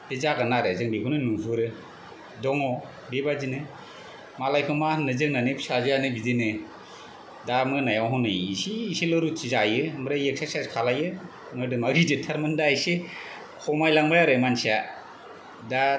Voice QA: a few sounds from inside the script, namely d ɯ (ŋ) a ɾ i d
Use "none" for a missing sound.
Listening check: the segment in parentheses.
m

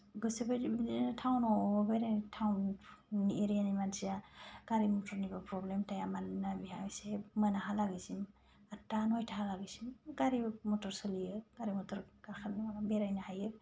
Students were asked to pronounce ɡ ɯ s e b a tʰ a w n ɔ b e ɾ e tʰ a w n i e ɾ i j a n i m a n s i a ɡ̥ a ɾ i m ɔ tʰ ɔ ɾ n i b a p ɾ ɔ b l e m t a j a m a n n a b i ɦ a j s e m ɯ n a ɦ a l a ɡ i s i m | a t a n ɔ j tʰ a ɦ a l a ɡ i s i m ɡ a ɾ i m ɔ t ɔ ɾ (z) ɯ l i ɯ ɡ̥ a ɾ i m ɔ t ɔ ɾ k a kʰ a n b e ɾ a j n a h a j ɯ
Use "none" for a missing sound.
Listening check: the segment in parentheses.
s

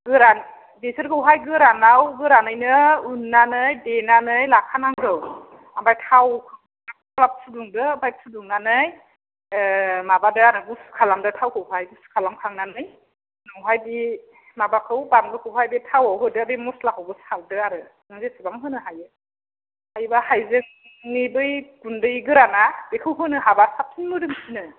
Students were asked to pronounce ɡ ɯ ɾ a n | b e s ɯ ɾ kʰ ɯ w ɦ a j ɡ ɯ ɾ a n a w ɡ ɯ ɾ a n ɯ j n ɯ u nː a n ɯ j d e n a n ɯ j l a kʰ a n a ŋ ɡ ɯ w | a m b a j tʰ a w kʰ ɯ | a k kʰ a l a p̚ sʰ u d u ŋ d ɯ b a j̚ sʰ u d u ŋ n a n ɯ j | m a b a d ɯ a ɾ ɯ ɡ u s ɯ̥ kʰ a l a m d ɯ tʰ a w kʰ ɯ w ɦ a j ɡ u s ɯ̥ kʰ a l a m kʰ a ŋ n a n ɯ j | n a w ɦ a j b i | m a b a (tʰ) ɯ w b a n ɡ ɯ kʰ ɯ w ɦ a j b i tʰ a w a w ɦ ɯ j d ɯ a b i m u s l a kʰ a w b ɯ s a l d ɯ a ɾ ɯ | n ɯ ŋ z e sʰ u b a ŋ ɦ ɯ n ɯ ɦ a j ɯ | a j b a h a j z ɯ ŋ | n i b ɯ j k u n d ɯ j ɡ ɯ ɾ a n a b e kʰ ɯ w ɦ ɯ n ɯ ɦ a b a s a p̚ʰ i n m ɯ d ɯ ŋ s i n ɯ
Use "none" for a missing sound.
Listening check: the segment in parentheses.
kʰ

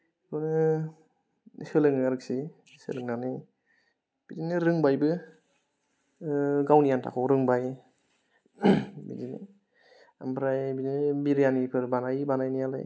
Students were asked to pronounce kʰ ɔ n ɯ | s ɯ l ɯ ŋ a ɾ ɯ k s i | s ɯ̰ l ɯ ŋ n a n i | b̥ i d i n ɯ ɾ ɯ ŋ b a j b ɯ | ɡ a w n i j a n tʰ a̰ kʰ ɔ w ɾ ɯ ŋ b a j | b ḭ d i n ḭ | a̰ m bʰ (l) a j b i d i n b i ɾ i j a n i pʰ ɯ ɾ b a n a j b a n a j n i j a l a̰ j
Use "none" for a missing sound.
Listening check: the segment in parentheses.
ɾ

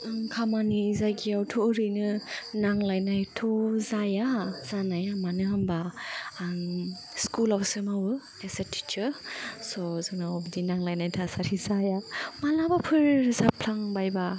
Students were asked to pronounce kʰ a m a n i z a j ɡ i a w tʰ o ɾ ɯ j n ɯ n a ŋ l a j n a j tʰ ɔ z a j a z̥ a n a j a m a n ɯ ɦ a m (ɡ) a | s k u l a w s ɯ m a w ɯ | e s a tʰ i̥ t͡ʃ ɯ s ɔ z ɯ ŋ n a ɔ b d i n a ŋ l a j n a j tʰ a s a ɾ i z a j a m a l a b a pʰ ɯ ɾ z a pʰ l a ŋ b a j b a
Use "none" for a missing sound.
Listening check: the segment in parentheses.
b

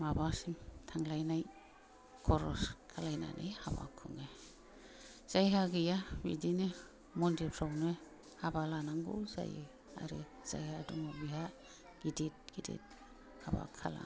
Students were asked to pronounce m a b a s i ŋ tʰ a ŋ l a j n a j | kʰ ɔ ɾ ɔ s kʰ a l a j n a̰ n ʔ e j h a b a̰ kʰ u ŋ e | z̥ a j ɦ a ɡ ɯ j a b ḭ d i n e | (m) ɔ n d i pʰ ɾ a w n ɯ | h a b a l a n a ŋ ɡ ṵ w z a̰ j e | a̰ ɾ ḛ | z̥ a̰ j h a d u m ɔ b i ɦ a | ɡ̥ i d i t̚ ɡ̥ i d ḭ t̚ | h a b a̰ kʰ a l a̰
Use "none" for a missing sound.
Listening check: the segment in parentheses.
m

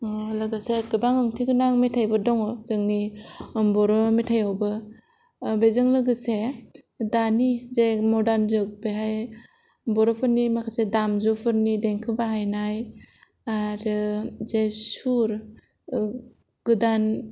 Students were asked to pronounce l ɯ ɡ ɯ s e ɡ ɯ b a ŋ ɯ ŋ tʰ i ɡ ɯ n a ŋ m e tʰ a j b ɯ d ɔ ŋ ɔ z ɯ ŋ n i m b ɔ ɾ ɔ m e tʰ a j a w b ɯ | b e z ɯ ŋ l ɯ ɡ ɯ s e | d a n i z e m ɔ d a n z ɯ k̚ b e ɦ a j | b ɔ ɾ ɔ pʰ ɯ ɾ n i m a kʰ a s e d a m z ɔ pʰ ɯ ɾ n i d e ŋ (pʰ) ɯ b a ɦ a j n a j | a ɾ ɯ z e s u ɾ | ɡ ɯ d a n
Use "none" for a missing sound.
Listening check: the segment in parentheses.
kʰ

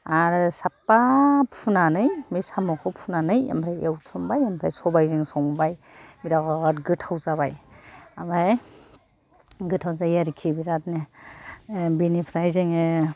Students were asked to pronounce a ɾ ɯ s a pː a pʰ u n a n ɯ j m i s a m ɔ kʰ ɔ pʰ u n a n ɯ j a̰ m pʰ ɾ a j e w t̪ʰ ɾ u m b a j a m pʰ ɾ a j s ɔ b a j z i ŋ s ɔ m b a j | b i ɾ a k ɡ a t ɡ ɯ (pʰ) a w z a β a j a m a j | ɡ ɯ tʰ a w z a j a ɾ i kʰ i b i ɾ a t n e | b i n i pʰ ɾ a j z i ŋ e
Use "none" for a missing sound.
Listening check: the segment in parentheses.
tʰ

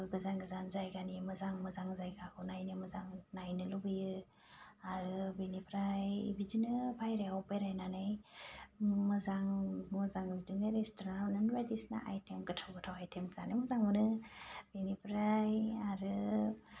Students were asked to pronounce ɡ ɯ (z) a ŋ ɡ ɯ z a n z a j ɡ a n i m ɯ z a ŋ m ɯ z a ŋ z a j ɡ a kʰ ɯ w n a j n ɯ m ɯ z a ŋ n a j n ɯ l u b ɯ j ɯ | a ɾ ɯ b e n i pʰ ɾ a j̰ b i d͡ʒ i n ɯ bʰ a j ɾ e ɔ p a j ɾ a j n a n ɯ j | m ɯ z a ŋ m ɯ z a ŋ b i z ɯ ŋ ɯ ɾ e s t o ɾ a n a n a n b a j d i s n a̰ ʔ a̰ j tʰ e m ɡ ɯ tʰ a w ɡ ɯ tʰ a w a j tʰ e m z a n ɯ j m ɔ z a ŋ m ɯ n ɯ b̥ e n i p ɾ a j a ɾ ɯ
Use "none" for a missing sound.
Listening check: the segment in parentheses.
z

